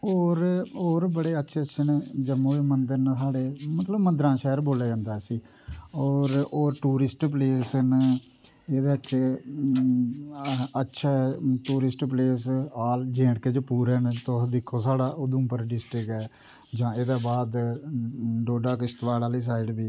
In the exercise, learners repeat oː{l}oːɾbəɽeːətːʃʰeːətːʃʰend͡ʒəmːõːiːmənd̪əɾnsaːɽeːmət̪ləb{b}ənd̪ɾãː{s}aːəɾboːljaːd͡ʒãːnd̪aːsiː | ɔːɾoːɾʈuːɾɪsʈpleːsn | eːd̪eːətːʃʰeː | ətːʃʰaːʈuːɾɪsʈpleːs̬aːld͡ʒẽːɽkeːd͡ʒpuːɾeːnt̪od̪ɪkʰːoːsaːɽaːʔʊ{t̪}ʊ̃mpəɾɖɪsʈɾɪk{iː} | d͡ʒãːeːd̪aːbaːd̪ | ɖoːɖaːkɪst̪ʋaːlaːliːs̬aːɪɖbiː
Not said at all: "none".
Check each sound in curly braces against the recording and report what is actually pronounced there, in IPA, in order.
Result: ɾ, m, ʃ, d̪, ɛː

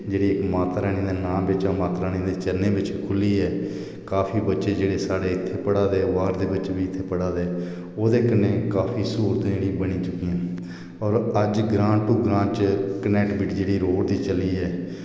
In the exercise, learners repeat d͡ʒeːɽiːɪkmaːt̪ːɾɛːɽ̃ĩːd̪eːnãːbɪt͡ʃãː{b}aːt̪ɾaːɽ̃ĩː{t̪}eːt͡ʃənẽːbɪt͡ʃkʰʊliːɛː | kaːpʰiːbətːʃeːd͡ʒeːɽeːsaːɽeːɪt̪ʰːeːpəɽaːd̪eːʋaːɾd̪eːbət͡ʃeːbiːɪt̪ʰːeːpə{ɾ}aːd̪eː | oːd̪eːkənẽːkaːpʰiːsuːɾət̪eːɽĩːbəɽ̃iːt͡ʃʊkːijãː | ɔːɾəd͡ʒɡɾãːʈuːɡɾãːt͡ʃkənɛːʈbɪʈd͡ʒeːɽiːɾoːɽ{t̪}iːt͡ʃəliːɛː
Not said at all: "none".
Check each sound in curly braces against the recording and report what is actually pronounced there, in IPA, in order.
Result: m, d̪, ɽ, d̪

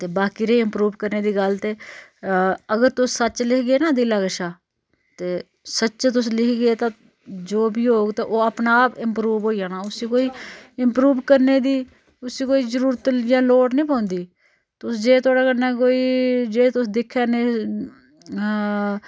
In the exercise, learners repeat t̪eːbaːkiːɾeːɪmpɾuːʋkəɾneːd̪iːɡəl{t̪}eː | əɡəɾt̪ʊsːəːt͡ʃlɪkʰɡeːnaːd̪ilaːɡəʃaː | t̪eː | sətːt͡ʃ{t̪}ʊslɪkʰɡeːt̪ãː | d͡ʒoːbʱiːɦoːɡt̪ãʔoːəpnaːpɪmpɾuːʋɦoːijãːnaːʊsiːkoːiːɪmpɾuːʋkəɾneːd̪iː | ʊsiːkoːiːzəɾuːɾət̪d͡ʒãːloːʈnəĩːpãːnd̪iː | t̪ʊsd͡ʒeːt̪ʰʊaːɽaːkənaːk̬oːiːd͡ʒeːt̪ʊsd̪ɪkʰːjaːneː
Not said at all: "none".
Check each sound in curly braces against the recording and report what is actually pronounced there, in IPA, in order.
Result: t̪, t̪

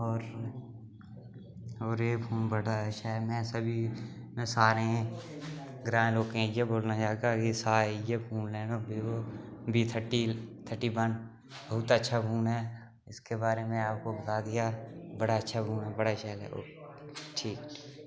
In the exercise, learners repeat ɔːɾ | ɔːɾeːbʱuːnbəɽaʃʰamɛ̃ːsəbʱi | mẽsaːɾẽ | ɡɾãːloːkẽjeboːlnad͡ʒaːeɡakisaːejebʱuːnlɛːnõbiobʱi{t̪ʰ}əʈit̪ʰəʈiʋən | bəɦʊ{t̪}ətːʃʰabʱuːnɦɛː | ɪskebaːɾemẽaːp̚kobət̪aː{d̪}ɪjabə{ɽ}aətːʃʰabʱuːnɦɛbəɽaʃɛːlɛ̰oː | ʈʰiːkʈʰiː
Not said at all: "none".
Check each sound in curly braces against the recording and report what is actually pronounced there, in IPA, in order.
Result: t̪ʰ, t̪, d̪, ɽ

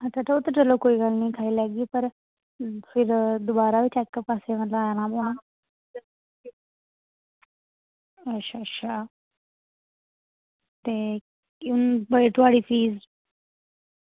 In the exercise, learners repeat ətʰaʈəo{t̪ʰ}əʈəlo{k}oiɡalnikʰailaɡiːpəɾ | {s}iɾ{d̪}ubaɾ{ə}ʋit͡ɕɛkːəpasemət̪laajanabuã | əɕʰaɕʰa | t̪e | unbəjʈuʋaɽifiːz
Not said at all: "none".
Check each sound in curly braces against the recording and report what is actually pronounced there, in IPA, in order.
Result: t̪, k, f, d̪, a

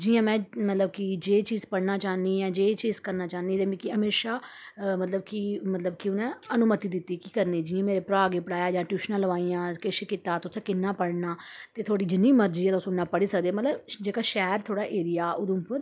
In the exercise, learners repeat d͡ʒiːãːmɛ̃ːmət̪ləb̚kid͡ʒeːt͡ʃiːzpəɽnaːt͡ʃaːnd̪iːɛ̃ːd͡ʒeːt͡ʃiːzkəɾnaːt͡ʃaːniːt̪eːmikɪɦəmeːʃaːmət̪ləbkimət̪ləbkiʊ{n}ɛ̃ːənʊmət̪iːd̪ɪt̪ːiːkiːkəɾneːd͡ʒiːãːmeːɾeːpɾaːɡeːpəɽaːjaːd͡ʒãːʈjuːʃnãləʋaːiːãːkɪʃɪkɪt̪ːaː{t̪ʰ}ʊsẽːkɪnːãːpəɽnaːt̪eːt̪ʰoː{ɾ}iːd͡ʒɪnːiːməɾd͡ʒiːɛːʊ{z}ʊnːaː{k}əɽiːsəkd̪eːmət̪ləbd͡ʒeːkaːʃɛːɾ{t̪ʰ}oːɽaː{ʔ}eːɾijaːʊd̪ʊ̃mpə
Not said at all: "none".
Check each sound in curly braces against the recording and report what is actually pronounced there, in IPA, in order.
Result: n, t̪, ɽ, s, p, t̪ʰ, ʔ

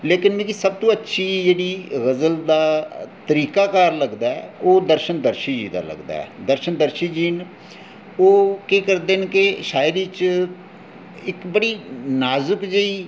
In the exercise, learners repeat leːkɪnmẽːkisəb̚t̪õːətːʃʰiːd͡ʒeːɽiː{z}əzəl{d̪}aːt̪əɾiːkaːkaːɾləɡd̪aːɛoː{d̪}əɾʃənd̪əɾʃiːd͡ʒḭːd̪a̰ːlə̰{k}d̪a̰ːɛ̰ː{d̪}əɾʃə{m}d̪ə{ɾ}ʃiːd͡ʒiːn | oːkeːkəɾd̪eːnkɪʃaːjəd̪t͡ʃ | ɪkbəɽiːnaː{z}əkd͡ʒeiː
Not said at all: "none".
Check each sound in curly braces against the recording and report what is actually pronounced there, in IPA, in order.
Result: ɣ, d̪, d̪, ɡ, d̪, n, ɾ, z

